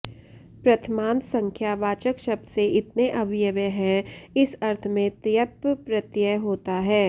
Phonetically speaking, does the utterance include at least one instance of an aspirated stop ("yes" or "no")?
yes